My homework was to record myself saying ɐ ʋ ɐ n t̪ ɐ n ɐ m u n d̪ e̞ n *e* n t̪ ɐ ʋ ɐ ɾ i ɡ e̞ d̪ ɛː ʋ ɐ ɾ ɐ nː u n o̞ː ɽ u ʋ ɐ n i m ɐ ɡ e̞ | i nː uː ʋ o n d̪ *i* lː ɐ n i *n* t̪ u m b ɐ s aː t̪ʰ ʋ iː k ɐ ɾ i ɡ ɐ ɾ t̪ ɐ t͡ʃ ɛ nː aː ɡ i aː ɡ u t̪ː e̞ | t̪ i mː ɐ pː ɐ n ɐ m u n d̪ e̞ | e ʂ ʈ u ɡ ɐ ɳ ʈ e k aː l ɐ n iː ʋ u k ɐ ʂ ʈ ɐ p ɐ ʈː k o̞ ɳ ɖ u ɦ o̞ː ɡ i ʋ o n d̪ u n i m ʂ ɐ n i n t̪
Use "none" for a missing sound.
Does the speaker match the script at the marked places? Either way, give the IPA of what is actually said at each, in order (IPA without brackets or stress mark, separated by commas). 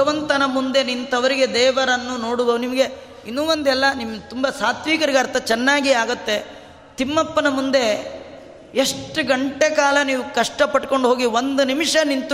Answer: i, ɛ, m